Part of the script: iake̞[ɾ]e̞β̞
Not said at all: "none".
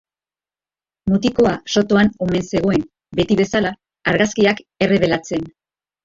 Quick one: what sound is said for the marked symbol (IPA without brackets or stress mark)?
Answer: r